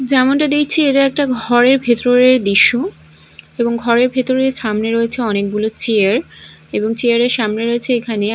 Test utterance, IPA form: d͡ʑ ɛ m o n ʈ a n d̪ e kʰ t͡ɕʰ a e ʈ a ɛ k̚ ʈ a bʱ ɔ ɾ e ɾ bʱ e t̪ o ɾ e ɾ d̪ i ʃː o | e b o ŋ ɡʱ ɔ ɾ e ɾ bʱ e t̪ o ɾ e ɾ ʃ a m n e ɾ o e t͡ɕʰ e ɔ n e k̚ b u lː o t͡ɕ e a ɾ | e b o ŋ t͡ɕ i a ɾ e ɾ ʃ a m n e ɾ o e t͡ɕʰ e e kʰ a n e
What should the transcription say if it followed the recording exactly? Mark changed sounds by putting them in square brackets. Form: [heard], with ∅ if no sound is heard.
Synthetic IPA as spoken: d͡ʑ ɛ m o n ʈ a [∅] d̪ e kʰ t͡ɕʰ [i] e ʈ a ɛ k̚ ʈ a [ɡʱ] ɔ ɾ e ɾ bʱ e t̪ o ɾ e ɾ d̪ i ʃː o | e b o ŋ ɡʱ ɔ ɾ e ɾ bʱ e t̪ o ɾ e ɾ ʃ a m n e ɾ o e t͡ɕʰ e ɔ n e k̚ b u [l] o t͡ɕ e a ɾ | e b o ŋ t͡ɕ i a ɾ e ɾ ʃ a m n e ɾ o e t͡ɕʰ e e kʰ a n e